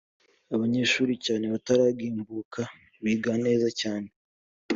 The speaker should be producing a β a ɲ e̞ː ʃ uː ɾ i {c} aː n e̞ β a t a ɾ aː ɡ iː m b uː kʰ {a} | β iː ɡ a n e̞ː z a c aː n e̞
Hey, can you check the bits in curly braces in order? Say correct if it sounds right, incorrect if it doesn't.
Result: correct, correct

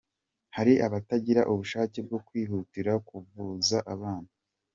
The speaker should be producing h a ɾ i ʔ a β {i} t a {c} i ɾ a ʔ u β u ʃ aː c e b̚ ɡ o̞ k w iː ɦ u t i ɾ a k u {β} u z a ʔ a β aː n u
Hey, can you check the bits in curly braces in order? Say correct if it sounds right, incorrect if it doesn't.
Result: incorrect: a, incorrect: ɟ, incorrect: v

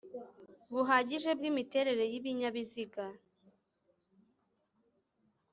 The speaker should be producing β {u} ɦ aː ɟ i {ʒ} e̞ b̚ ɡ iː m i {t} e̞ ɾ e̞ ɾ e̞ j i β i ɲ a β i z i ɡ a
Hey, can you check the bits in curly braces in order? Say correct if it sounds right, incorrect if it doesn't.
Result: correct, correct, correct

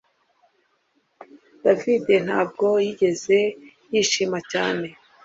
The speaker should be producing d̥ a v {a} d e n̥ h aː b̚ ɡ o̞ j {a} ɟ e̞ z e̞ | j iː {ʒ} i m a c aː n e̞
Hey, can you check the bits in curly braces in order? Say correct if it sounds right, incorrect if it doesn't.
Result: incorrect: i, incorrect: i, incorrect: ʃ

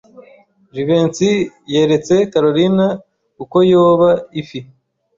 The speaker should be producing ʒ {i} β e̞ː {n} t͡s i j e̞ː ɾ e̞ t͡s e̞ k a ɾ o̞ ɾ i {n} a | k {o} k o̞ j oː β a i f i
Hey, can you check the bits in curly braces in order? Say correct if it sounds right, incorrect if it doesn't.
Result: correct, correct, correct, incorrect: u

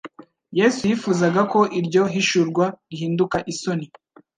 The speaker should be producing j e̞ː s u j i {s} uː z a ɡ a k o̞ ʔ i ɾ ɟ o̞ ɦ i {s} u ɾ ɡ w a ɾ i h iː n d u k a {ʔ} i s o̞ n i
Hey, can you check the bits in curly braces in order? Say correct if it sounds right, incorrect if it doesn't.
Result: incorrect: f, incorrect: ʃ, correct

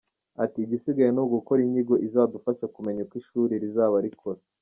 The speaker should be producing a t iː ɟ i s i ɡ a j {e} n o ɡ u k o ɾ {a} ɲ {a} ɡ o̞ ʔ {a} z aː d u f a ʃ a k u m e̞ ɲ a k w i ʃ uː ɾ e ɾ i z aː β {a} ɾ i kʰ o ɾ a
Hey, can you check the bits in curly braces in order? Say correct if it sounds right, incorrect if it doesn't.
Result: correct, incorrect: i, incorrect: i, incorrect: i, correct

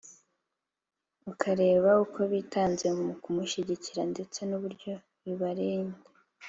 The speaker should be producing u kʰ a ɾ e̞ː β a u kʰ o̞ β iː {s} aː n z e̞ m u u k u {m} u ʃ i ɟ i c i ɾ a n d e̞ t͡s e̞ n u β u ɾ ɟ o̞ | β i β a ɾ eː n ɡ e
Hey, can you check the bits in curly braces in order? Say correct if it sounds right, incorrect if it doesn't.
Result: incorrect: t, correct

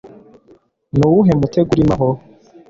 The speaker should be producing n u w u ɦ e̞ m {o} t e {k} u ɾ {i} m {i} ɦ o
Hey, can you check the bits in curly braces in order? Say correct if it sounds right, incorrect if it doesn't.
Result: incorrect: u, incorrect: ɡ, correct, incorrect: a

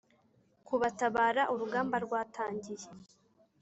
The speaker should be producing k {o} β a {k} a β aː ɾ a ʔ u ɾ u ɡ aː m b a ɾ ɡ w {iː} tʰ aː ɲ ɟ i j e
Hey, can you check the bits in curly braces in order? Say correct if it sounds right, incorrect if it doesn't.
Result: incorrect: u, incorrect: t, incorrect: aː

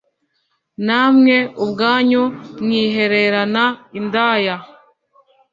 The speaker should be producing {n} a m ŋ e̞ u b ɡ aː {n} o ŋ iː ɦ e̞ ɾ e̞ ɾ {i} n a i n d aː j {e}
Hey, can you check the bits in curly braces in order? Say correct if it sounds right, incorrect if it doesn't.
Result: correct, incorrect: ɲ, incorrect: a, incorrect: a

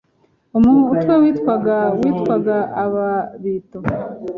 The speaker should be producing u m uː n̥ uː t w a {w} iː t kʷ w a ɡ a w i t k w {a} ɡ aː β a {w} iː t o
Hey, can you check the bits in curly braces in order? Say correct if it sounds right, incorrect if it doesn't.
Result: correct, correct, incorrect: β

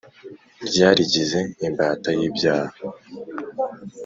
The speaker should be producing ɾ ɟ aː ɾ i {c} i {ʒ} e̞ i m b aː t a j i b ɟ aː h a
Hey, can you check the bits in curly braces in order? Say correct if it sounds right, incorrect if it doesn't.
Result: incorrect: ɟ, incorrect: z

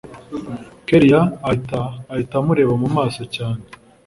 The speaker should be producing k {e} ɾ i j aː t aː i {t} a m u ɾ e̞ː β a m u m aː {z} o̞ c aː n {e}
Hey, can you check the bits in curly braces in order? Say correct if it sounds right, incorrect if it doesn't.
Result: correct, correct, incorrect: s, correct

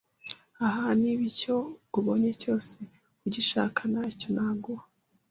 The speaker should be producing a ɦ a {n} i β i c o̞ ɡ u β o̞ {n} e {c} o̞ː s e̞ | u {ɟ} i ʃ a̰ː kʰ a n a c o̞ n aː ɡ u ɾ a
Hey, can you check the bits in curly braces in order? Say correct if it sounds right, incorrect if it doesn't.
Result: correct, incorrect: ɲ, correct, correct

